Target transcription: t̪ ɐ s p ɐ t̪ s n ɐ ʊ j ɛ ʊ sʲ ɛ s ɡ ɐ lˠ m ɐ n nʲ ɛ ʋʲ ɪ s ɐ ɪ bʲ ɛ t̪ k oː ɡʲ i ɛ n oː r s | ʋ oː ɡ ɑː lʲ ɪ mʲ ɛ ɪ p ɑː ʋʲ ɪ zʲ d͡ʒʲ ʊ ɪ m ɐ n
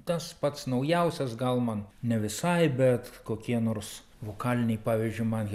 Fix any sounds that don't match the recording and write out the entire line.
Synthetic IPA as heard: t̪ ɐ s p ɐ t̪ s n ɐ ʊ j ɛ ʊ sʲ ɛ s ɡ ɐ lˠ m ɐ n nʲ ɛ ʋʲ ɪ s ɐ ɪ bʲ ɛ t̪ k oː kʲ i ɛ n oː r s | ʋ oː k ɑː lʲ ɪ nʲ ɛ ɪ p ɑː ʋʲ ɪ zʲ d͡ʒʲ ʊ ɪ m ɐ n